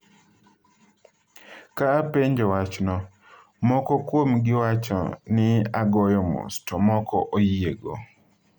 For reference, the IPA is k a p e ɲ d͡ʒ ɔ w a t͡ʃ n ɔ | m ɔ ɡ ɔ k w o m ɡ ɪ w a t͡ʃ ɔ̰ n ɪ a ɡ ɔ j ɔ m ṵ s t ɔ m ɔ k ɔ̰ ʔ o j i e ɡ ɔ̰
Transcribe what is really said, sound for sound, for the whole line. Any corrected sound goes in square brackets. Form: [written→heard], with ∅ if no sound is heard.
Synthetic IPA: k a p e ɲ d͡ʒ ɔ w a t͡ʃ n ɔ | m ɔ [ɡ→k] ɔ k w o m ɡ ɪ w a t͡ʃ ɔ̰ n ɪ a ɡ ɔ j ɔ m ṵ s t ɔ m ɔ k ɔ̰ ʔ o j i e ɡ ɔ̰